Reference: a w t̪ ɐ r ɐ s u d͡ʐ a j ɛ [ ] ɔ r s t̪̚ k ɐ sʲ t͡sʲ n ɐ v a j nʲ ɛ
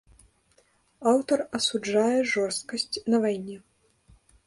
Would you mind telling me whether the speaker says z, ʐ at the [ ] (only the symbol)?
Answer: ʐ